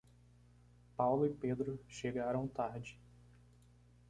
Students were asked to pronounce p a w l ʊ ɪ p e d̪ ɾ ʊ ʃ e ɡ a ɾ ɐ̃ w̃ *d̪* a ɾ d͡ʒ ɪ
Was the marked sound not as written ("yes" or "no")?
yes